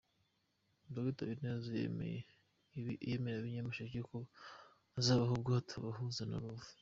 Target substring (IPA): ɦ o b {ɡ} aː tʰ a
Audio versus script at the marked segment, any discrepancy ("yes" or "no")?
no